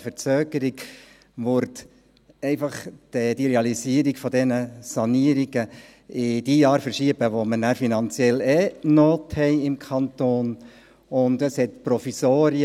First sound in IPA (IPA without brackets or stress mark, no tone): f